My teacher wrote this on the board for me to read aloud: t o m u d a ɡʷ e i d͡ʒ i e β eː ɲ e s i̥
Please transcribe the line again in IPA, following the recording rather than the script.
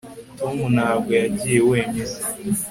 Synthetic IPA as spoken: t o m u n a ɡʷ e a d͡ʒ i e w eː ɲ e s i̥